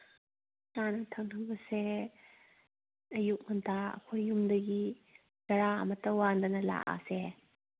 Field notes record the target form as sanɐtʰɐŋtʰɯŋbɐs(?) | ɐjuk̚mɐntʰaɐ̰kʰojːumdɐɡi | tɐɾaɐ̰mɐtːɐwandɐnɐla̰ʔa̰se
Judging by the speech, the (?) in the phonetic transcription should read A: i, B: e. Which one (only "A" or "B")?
B